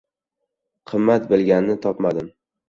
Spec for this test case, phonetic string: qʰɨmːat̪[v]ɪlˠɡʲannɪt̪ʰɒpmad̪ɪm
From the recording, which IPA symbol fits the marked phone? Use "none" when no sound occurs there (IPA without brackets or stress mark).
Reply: b